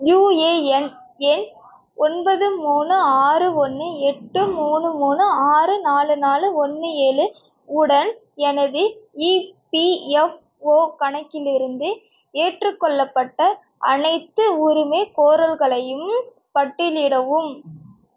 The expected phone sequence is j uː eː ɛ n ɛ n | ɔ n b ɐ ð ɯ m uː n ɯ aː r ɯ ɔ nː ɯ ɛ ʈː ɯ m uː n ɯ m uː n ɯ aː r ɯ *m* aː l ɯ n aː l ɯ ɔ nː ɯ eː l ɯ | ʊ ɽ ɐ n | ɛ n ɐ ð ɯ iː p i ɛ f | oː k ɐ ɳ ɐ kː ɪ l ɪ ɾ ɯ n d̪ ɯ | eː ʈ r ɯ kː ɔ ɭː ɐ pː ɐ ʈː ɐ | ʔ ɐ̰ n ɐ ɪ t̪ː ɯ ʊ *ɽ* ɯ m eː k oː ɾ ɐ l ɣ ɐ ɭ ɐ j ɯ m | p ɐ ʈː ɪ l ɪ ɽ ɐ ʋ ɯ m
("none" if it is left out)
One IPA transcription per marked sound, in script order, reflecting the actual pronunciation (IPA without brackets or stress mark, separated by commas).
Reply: n, ɾ